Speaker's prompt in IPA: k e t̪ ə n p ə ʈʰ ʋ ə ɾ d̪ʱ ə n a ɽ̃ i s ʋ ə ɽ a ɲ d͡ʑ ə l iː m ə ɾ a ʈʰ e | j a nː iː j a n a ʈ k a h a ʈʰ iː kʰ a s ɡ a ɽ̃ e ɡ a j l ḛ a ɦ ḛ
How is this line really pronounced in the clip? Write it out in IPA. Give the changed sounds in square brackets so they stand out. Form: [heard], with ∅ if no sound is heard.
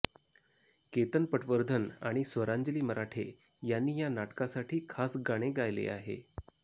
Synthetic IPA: k e t̪ ə n p ə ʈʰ ʋ ə ɾ d̪ʱ ə n a ɽ̃ i s ʋ ə [ɾ] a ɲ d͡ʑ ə l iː m ə ɾ a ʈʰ e | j a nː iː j a n a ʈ k a [s] a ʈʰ iː kʰ a s ɡ a ɽ̃ e ɡ a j l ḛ a ɦ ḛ